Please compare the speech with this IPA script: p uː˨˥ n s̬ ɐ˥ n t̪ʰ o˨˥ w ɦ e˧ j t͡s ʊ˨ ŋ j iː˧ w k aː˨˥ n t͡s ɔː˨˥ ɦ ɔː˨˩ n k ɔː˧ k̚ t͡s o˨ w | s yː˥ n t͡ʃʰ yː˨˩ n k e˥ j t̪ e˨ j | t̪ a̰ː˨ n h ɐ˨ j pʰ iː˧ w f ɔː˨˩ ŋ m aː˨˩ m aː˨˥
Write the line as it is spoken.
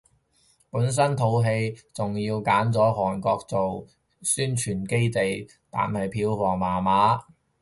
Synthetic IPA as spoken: p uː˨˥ n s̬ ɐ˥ n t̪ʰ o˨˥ w ɦ e˧ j t͡s ʊ˨ ŋ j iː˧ w k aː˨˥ n t͡s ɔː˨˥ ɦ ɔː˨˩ n k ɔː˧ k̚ t͡s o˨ w | s yː˥ n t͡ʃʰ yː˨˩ n k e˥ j t̪ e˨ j | t̪ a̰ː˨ n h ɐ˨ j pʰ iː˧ w f ɔː˨˩ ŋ m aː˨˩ m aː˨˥